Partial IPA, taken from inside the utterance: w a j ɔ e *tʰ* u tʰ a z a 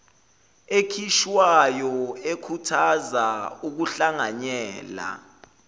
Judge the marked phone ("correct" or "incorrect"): incorrect